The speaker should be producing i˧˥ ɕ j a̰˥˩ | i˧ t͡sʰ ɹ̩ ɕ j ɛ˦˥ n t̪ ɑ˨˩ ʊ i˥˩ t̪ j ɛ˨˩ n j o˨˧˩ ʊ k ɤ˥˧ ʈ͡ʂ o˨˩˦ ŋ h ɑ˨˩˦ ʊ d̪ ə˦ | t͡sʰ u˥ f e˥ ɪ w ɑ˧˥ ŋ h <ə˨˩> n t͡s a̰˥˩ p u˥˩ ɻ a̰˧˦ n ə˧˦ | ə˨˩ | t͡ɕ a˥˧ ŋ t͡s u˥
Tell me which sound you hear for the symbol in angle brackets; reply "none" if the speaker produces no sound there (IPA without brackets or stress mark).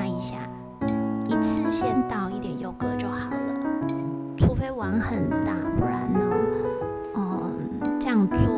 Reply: ə˨˩